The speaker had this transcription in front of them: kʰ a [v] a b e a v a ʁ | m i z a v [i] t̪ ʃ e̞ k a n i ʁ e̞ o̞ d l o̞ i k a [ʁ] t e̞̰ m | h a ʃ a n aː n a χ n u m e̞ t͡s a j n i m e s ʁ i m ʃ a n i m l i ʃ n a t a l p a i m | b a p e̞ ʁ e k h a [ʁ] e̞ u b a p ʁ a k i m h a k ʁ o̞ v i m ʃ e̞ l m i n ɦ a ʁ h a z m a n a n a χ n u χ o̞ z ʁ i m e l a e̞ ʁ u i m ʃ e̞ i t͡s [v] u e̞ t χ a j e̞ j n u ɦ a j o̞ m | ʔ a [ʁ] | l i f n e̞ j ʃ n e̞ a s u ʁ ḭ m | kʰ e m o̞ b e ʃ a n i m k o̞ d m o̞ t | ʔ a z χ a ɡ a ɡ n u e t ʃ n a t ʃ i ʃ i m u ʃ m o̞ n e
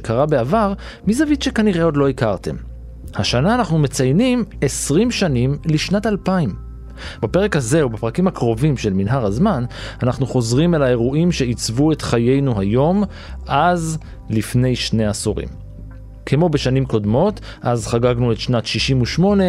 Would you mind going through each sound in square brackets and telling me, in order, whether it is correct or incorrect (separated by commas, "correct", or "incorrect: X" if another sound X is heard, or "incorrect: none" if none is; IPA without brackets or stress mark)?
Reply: incorrect: ʁ, correct, correct, incorrect: z, correct, incorrect: z